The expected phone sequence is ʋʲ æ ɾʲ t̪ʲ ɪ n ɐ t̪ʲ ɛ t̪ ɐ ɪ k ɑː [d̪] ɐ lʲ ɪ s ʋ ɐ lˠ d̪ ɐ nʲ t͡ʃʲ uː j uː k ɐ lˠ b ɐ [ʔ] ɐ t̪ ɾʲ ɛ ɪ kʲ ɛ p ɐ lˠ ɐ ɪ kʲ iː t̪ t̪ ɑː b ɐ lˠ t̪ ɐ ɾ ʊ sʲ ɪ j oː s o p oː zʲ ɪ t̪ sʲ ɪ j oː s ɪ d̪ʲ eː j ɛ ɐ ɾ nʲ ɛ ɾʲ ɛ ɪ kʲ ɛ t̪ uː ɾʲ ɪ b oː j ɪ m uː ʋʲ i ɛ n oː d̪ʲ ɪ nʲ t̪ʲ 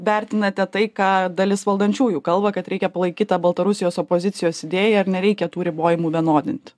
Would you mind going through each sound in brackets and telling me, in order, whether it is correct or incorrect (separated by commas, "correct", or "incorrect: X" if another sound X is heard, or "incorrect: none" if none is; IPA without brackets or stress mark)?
correct, incorrect: k